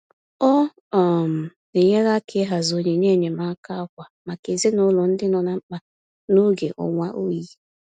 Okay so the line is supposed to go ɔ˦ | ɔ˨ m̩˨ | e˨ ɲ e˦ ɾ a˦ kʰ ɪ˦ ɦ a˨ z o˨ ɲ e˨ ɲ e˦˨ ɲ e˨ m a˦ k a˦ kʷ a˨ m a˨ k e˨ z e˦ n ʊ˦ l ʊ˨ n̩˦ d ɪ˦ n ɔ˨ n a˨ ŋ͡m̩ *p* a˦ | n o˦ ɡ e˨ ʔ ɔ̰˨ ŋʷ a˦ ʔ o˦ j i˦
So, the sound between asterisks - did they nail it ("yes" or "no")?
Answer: no